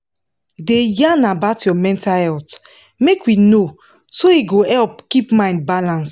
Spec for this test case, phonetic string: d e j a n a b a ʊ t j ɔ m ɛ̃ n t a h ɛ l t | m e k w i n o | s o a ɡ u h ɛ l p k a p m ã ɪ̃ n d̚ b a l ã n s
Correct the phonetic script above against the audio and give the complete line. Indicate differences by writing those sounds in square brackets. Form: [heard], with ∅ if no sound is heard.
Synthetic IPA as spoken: d e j a n a b a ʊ t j ɔ m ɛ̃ n t a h ɛ l t | m e k w i n o | s o [i] ɡ [o] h ɛ l p k [i] p m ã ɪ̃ n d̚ b a l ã n s